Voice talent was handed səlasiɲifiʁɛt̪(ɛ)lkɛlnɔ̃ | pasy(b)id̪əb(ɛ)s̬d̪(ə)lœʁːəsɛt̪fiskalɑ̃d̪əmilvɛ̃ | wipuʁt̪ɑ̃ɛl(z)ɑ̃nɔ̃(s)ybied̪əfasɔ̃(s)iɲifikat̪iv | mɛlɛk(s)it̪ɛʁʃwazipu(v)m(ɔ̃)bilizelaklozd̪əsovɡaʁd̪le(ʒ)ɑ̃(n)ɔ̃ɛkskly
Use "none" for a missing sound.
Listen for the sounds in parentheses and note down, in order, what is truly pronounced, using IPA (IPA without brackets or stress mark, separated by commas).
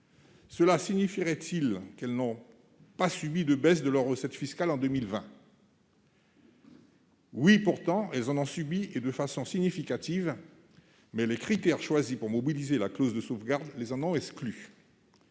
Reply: i, b, ɛ, ə, z, s, s, χ, ʁ, ɔ, z, n